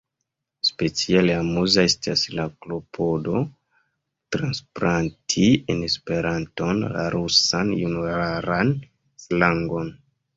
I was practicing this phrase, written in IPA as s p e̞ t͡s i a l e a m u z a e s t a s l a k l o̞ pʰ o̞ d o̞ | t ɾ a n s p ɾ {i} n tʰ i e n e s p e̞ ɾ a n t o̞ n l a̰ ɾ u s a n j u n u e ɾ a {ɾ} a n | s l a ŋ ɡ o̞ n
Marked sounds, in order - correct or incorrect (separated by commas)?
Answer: incorrect, correct